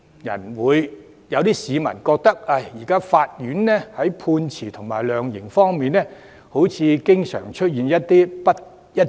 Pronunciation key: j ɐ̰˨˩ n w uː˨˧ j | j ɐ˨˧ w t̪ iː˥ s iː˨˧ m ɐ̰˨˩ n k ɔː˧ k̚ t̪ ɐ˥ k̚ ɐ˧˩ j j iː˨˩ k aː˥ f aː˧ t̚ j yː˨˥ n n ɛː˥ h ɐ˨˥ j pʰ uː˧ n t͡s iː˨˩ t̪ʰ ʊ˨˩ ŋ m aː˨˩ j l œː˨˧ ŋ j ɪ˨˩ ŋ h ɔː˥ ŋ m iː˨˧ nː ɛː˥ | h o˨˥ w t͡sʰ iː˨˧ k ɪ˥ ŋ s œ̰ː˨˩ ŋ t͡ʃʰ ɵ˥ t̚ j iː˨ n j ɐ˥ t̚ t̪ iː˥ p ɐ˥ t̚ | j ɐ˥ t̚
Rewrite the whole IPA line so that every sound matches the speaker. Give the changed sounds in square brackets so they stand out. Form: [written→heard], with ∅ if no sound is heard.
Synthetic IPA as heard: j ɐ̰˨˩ n w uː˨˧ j | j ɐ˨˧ w t̪ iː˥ s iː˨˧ m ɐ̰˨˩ n k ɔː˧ k̚ t̪ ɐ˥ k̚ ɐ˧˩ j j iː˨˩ k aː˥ f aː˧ t̚ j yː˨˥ n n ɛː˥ h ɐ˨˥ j pʰ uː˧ n [t͡s→t͡sʰ] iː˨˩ t̪ʰ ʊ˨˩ ŋ m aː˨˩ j l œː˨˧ ŋ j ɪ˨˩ ŋ [h→f] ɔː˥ ŋ m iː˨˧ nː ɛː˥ | h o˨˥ w t͡sʰ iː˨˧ k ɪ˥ ŋ s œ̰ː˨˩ ŋ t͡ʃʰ ɵ˥ t̚ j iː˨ n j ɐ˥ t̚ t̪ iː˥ p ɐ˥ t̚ | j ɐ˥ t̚